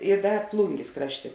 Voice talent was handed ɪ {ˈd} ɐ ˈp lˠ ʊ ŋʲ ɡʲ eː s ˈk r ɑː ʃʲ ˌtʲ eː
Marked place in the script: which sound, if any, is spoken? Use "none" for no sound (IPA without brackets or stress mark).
d